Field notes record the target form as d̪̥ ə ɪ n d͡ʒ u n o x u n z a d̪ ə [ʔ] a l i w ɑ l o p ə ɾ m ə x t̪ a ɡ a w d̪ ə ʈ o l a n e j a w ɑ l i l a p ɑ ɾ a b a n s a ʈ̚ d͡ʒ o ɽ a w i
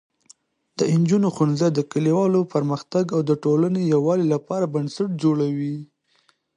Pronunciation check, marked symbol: incorrect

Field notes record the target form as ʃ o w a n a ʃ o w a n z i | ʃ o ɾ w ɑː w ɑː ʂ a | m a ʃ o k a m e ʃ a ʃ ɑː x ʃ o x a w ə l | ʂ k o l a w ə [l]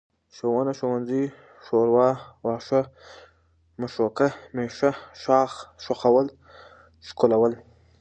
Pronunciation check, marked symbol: correct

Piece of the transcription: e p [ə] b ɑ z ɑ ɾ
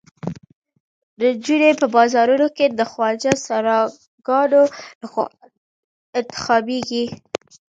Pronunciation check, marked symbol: correct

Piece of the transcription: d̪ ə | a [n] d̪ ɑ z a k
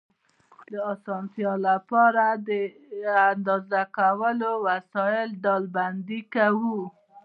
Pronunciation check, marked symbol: correct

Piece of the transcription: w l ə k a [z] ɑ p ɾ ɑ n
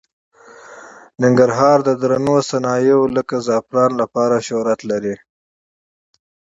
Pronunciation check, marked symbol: correct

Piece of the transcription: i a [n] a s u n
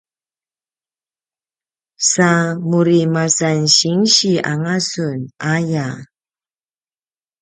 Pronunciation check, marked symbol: incorrect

